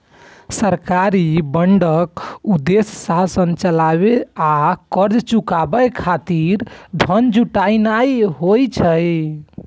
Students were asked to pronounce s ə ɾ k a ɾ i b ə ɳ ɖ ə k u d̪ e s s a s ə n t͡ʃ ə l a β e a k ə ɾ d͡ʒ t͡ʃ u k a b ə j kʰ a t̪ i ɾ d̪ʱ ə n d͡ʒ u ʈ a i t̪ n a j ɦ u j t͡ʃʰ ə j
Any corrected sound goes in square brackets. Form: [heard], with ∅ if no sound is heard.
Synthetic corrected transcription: s ə ɾ k a ɾ i b ə ɳ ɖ ə k u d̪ e s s a s ə n t͡ʃ ə l a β e a k ə ɾ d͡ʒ t͡ʃ u k a b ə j kʰ a t̪ i ɾ d̪ʱ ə n d͡ʒ u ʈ a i [∅] n a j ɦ [o] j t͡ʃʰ ə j